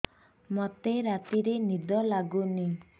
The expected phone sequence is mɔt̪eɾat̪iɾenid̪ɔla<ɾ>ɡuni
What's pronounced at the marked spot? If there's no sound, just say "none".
none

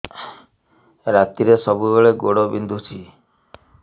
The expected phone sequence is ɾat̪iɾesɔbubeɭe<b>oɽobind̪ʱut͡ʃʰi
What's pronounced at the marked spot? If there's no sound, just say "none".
ɡ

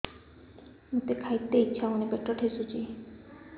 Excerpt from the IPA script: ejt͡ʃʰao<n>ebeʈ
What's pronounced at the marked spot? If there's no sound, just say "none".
n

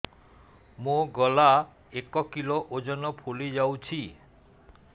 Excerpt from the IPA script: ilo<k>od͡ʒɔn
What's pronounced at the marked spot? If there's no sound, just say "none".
ʔ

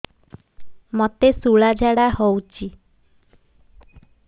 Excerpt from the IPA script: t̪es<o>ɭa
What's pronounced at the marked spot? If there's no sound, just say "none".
u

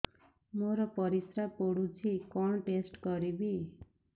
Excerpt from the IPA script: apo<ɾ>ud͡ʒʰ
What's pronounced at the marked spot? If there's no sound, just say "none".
ɽ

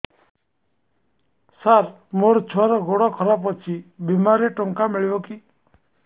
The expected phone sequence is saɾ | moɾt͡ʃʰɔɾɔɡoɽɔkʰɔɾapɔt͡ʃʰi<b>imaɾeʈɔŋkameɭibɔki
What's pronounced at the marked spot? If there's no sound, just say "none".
b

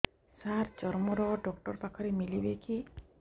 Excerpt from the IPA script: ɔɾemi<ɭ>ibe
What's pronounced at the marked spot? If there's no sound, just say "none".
l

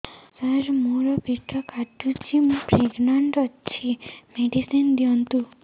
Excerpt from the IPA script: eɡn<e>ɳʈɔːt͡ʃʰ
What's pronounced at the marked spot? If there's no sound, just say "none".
a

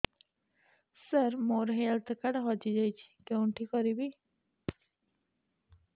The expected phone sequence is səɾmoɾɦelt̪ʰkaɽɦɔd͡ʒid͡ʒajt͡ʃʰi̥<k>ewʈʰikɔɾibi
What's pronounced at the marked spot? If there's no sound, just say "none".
k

